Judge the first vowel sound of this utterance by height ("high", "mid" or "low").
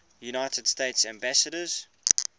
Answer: high